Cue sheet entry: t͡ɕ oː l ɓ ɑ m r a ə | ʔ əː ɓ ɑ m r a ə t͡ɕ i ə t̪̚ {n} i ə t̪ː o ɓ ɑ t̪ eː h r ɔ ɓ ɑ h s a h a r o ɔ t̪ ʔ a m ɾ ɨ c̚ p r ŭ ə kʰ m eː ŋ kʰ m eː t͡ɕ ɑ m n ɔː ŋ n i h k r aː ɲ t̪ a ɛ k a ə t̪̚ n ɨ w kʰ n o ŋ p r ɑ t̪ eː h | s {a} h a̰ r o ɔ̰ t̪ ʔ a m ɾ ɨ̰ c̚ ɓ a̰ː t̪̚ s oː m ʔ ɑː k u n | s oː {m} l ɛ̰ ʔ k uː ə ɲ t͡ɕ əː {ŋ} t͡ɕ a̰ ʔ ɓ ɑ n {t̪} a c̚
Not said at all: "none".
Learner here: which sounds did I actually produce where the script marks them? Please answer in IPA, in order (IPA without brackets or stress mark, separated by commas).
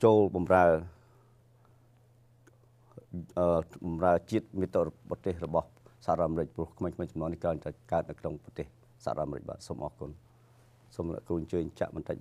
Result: m, a, m, ɲ, t̪